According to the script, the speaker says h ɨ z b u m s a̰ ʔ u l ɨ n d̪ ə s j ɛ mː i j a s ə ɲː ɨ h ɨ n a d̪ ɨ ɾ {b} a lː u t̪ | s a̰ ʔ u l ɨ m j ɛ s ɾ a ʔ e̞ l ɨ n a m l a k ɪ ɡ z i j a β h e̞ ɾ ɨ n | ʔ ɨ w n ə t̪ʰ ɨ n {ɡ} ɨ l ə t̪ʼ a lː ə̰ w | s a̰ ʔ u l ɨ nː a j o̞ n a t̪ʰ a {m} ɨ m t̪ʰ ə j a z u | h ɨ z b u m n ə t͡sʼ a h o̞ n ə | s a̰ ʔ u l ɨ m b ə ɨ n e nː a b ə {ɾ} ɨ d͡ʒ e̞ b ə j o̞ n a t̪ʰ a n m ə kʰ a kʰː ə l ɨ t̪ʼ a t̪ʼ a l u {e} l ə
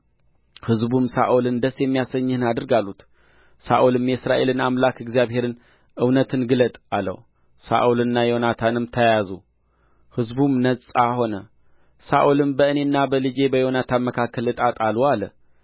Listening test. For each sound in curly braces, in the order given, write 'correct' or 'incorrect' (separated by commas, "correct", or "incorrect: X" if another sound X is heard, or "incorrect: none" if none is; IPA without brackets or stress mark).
incorrect: ɡ, correct, incorrect: n, incorrect: l, incorrect: a